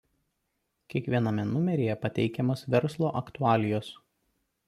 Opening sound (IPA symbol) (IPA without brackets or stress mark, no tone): kʲ